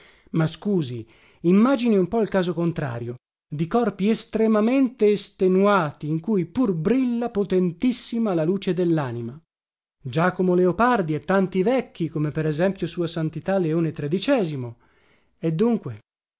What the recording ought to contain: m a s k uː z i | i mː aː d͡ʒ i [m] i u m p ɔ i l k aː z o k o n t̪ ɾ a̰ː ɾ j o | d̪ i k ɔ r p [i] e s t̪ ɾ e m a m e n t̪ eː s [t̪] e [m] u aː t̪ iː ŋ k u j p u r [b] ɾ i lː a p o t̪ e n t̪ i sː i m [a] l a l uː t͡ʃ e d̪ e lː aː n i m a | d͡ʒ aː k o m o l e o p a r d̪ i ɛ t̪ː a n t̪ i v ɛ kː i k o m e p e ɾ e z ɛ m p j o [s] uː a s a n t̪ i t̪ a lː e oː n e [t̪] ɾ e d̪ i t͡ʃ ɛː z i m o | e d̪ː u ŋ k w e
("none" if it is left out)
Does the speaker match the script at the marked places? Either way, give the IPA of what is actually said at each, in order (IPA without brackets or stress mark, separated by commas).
n, i, t̪, n, b, a, s, t̪